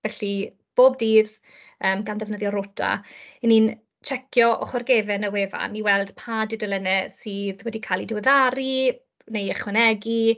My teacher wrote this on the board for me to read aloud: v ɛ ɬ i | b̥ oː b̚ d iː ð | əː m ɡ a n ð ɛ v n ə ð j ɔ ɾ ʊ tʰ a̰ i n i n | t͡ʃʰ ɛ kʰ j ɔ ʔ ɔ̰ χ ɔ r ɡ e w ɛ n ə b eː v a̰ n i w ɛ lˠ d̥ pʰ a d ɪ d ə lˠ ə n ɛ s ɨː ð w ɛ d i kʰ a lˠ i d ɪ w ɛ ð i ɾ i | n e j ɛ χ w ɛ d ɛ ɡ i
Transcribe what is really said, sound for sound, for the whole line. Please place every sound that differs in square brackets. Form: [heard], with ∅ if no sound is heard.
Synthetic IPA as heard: v ɛ ɬ i | b̥ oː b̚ d iː ð | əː m ɡ a n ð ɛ v n ə ð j ɔ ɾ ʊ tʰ a̰ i n i n | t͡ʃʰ ɛ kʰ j ɔ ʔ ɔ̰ χ ɔ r ɡ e [v] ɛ n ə [w] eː v a̰ n i w ɛ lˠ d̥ pʰ a d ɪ d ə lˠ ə n ɛ s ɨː ð w ɛ d i kʰ a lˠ i d ɪ w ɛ ð [a] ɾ i | n e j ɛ χ w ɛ [n] ɛ ɡ i